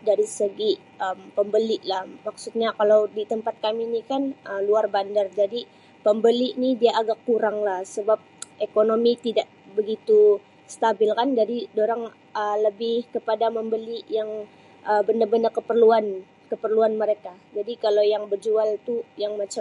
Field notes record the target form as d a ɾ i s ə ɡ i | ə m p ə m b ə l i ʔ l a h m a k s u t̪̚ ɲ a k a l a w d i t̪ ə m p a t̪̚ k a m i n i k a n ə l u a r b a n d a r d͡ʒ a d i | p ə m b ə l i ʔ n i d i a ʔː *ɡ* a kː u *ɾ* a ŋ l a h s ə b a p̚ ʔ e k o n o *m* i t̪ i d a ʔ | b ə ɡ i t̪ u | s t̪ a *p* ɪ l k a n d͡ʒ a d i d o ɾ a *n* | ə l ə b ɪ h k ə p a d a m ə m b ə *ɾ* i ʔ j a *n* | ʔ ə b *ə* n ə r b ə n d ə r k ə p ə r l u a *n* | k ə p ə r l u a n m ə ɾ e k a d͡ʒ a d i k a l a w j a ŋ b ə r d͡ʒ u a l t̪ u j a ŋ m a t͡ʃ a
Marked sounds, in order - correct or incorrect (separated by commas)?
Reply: correct, correct, correct, incorrect, incorrect, incorrect, incorrect, correct, correct